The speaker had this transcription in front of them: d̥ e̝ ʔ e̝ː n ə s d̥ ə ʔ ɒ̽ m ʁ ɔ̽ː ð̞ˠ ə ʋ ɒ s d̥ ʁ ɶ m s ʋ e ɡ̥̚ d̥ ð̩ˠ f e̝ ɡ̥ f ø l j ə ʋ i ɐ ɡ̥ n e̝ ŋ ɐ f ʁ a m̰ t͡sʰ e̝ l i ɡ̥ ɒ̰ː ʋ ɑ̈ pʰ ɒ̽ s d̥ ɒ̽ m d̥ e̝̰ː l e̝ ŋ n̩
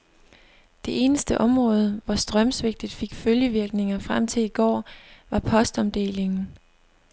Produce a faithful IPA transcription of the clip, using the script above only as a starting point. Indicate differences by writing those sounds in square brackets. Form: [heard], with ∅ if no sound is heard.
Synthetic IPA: d̥ e̝ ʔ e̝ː n ə s d̥ ə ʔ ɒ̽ m ʁ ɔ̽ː ð̞ˠ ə ʋ ɒ s d̥ ʁ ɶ m s ʋ e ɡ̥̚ d̥ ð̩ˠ f e̝ ɡ̥ f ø l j ə ʋ i ɐ ɡ̥ n e̝ ŋ ɐ f ʁ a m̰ t͡sʰ e̝ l i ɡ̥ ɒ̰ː ʋ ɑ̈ pʰ ɒ̽ s d̥ ɒ̽ m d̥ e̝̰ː l e̝ ŋ n̩